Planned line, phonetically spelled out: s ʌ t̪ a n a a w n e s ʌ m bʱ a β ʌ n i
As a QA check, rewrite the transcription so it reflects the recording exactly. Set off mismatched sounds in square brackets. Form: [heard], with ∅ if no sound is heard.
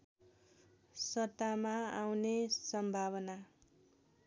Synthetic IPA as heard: s ʌ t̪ a [m] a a w n e s ʌ m bʱ a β ʌ n [a]

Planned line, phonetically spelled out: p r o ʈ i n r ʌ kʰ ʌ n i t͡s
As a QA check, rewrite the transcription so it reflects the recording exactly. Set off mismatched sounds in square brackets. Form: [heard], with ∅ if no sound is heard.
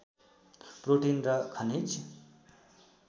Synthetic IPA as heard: p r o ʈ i n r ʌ kʰ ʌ n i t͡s

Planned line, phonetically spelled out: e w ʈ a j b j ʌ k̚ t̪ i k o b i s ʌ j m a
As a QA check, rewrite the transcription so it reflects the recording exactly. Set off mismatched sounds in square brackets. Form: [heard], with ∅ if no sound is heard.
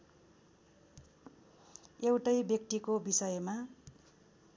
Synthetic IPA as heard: e w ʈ [ʌ] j b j ʌ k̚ t̪ i k o b i s ʌ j m a

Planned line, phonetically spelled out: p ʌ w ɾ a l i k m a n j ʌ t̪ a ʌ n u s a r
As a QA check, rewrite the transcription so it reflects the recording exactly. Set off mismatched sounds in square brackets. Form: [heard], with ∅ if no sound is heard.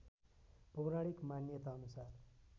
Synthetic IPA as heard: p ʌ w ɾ a [ɽ] i k m a n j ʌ t̪ a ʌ n u s a r

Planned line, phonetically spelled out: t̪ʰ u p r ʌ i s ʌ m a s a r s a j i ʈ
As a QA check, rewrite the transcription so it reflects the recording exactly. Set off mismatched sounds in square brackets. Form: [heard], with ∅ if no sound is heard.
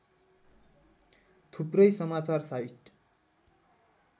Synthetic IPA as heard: t̪ʰ u p r ʌ [j] s ʌ m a [t͡s] a r s a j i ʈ

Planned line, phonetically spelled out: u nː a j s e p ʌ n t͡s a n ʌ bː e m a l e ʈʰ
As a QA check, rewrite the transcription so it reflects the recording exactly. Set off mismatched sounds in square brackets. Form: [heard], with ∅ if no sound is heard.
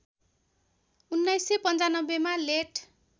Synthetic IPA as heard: u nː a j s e p ʌ n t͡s a n ʌ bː e m a l e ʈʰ

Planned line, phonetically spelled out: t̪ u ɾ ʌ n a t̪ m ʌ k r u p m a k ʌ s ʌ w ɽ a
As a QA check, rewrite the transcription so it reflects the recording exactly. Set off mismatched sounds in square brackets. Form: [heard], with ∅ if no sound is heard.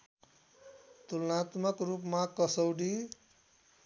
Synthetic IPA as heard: t̪ u [l] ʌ n a t̪ m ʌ k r u p m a k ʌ s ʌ w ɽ [i]

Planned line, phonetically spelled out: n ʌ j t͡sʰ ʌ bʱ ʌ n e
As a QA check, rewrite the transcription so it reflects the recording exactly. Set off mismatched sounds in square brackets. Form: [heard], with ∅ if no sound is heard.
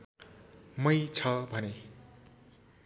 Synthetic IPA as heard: [m] ʌ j t͡sʰ ʌ bʱ ʌ n e

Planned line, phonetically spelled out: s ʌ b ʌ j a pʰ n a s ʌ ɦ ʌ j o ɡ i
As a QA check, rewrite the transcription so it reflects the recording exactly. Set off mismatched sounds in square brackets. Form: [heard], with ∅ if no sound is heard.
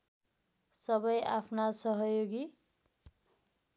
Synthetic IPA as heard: s ʌ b ʌ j a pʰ n a s ʌ ɦ ʌ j o ɡ i

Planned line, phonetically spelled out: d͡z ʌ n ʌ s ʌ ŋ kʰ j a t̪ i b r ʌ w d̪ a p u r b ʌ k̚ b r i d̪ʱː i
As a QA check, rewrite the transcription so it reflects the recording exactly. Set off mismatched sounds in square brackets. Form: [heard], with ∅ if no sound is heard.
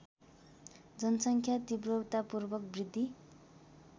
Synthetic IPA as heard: d͡z ʌ n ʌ s ʌ ŋ kʰ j a t̪ i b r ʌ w [t̪] a p u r b ʌ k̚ b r i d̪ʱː i

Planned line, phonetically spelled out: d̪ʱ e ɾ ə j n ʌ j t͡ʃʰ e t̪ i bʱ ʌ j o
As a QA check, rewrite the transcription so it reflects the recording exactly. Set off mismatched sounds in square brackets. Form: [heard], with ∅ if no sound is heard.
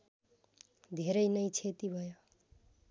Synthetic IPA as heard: d̪ʱ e ɾ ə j n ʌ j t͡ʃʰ e t̪ i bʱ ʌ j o

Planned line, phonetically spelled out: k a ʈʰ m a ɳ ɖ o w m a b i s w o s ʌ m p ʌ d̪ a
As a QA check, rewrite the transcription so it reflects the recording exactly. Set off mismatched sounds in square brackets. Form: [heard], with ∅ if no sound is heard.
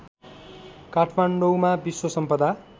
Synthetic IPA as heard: k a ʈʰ m a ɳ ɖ o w m a b i s w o s ʌ m p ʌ d̪ a

